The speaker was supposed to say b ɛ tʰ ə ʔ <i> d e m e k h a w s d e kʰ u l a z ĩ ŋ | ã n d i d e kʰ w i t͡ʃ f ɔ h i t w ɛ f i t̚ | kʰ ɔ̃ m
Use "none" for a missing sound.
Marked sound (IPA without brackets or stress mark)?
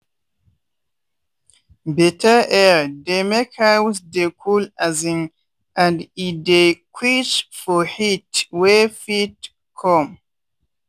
ɛ